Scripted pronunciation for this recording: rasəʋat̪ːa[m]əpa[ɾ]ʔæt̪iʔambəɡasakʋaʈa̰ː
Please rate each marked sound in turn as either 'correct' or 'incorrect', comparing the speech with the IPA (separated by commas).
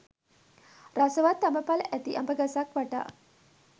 correct, incorrect